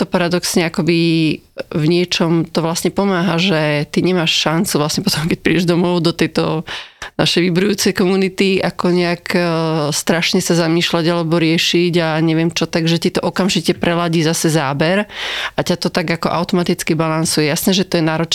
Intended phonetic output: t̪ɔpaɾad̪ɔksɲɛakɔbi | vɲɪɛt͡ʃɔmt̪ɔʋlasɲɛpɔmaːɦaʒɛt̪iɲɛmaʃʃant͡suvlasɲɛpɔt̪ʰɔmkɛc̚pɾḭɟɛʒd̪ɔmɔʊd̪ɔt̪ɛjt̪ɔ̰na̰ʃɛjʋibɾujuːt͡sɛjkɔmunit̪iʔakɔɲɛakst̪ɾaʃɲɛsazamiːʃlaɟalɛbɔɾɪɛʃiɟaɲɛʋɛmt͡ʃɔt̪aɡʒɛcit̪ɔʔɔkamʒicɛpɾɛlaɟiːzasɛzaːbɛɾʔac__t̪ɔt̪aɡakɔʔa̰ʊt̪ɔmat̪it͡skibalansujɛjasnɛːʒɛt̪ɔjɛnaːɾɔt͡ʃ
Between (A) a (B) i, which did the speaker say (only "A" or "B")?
A